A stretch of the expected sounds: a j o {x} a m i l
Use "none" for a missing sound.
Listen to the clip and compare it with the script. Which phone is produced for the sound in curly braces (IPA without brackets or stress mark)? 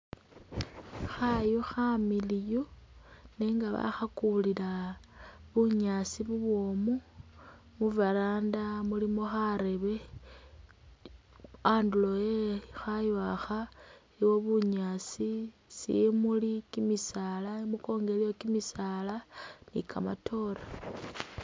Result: x